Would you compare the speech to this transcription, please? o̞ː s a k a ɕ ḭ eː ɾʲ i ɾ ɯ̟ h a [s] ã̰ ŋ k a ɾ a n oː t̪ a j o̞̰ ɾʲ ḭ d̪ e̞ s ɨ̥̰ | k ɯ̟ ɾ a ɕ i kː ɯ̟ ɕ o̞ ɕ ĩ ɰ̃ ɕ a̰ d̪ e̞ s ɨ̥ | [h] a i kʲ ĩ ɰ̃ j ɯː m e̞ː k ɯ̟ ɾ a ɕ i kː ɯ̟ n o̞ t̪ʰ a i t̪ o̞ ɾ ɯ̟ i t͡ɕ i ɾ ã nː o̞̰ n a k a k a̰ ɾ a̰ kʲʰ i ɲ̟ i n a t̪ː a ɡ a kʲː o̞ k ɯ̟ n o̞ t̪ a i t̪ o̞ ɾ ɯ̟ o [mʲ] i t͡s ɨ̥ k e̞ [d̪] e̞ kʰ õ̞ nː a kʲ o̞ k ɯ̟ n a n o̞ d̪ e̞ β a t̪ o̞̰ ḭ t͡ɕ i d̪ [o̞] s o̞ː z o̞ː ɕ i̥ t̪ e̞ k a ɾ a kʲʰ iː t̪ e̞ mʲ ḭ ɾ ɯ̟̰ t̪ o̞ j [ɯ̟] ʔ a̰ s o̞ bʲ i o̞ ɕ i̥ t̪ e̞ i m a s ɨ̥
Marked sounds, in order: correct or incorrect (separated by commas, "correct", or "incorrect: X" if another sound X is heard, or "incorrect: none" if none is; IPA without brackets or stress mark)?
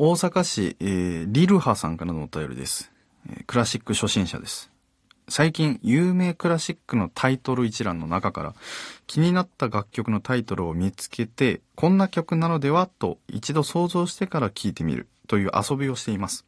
correct, incorrect: s, correct, incorrect: t̪, correct, incorrect: ɯ̟ː